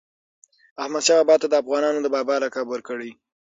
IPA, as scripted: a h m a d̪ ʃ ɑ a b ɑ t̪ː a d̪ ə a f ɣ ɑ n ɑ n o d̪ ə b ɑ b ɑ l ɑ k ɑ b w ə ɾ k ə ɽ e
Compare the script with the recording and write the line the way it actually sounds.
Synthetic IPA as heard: a h m a d̪ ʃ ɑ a b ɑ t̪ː a d̪ ə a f ɣ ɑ n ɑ n o d̪ ə b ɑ b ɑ l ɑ k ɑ b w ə ɾ k ə ɽ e